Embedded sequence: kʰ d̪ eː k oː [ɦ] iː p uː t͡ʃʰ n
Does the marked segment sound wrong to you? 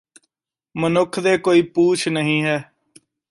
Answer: yes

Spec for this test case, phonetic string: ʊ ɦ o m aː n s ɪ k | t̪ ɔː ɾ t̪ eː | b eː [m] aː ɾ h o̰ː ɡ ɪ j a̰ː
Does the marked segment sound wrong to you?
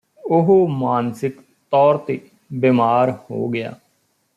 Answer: no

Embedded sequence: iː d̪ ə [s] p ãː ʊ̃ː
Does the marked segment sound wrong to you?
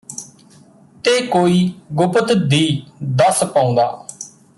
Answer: no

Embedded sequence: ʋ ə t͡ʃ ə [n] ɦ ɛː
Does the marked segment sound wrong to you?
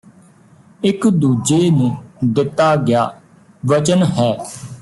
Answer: no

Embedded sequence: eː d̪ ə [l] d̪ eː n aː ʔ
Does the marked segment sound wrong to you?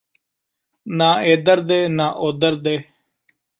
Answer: yes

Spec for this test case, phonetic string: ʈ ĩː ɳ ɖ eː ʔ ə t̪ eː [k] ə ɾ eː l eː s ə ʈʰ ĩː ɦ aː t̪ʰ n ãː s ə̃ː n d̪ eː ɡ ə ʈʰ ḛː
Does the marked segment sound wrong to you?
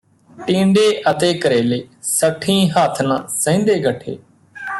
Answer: no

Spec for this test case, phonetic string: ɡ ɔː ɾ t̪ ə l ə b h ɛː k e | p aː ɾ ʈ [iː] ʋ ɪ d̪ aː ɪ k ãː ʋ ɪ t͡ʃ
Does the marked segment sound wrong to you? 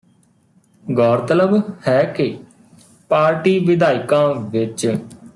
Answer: no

